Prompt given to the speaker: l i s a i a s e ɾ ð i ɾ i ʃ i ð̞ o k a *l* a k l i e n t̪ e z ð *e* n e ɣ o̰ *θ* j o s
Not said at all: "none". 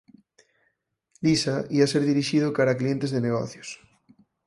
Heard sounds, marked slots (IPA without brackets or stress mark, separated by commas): ɾ, e, θ